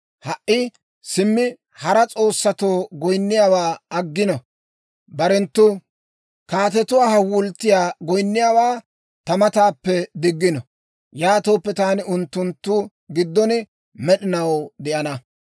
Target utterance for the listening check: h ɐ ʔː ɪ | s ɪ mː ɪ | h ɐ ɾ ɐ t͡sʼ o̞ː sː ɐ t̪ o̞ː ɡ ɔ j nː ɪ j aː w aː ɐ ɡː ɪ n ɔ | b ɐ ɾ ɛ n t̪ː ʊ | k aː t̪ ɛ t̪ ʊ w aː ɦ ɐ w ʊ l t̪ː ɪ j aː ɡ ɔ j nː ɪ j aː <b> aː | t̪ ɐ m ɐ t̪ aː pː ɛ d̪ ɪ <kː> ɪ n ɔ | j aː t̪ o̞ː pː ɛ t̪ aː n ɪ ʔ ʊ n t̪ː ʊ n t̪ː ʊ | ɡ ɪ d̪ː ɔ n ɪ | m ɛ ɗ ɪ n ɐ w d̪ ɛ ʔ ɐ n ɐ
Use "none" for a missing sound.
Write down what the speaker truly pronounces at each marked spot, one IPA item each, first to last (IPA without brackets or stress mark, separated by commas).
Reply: w, ɡː